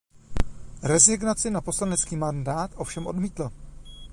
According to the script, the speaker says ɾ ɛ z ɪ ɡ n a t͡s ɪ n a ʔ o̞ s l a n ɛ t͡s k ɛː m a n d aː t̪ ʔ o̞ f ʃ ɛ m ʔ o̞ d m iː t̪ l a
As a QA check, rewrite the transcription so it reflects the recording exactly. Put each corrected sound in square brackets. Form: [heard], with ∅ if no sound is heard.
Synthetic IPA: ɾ ɛ z ɪ ɡ n a t͡s ɪ n a [p] o̞ s l a n ɛ t͡s k [iː] m a n d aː t̪ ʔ o̞ f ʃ ɛ m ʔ o̞ d m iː t̪ l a